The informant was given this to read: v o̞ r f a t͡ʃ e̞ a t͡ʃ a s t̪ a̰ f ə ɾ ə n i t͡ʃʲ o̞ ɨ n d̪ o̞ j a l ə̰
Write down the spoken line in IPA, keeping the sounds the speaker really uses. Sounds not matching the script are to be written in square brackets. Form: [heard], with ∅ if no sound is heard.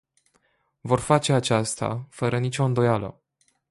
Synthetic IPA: v o̞ r f a t͡ʃ e̞ a t͡ʃ a s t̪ a̰ f ə ɾ ə n i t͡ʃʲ o̞ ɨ n d̪ o̞ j a l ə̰